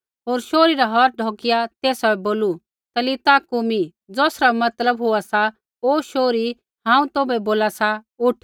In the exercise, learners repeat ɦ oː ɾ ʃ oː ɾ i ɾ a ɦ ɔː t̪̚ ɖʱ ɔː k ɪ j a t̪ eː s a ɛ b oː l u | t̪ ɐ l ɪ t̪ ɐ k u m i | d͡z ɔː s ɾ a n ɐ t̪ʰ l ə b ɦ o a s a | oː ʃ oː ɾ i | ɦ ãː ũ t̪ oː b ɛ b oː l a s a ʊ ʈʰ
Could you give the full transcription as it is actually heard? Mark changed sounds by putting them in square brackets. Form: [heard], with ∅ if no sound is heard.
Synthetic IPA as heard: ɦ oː ɾ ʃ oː ɾ i ɾ a ɦ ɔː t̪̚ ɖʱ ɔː k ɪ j a t̪ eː s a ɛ b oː l u | t̪ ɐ l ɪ t̪ [a] k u m i | d͡z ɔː s ɾ a [m] ɐ [t̪] l ə b ɦ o a s a | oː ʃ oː ɾ i | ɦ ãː ũ t̪ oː b ɛ b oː l a s a ʊ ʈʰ